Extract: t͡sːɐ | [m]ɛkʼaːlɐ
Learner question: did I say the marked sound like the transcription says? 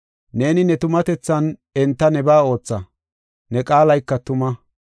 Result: no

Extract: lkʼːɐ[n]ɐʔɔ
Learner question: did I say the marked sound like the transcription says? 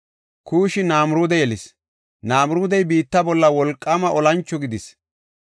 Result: no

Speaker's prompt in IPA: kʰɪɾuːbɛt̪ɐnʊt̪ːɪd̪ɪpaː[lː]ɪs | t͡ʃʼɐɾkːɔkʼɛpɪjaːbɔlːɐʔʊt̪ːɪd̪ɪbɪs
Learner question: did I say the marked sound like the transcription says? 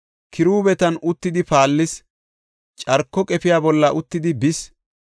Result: yes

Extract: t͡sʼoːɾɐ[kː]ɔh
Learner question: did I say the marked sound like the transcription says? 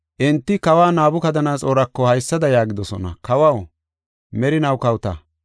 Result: yes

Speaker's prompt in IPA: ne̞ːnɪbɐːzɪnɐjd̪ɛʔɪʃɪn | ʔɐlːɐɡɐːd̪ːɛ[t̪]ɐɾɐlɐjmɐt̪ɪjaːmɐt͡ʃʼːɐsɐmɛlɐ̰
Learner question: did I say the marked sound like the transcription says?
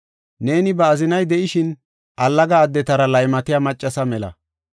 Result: yes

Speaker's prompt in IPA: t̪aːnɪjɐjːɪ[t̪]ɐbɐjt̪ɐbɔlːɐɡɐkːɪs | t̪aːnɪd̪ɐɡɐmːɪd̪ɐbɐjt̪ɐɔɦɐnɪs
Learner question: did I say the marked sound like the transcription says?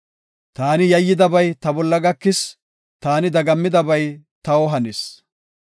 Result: no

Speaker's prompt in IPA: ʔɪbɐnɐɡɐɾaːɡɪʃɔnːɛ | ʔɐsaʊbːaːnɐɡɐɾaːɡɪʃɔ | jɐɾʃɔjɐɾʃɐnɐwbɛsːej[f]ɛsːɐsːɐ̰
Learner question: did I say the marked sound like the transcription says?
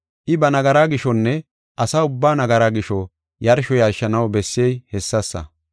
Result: no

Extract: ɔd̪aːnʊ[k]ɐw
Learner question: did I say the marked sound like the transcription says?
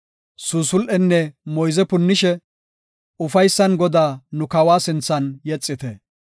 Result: yes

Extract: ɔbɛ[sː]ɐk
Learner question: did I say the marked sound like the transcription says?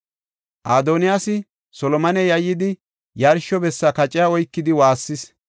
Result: yes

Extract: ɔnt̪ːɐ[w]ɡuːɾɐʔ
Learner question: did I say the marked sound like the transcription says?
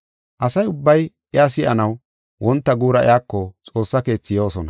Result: no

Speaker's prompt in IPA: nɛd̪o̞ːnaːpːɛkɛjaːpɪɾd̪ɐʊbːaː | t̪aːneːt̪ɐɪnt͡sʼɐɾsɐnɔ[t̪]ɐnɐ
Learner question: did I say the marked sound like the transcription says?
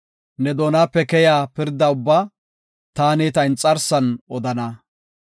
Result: no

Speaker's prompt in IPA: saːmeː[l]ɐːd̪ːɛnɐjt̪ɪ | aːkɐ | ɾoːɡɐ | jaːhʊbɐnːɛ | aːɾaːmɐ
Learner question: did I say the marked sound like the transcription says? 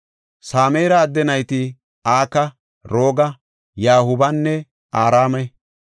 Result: no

